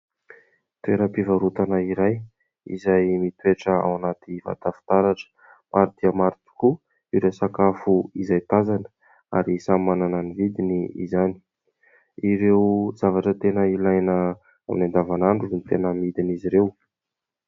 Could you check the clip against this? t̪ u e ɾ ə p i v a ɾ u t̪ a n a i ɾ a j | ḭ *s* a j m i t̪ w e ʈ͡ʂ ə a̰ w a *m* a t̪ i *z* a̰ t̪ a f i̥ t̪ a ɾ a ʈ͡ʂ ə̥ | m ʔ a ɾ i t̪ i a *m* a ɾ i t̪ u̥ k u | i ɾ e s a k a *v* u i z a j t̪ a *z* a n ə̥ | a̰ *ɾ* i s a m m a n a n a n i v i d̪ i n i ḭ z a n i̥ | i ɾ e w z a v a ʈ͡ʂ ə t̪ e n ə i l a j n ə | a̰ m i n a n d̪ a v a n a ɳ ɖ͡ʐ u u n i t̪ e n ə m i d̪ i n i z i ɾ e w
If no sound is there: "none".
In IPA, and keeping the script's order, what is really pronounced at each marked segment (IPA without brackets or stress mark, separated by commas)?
z, n, v, m, f, z, ɾ